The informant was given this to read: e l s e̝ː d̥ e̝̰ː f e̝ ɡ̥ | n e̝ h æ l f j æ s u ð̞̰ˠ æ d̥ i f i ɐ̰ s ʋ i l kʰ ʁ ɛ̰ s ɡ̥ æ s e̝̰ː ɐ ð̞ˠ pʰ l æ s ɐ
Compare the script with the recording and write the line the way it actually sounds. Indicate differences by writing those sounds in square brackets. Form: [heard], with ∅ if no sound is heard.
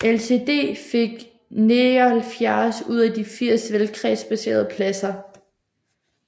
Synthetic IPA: e l s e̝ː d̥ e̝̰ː f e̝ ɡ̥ | n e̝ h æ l f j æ s u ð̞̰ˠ æ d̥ i f i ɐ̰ s ʋ [e] l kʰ ʁ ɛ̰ s [b̥] æ s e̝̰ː ɐ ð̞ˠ pʰ l æ s ɐ